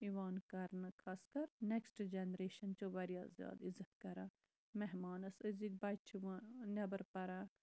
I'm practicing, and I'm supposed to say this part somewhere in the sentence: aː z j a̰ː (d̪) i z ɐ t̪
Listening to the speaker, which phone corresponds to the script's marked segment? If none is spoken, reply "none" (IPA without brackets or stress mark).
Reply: d̪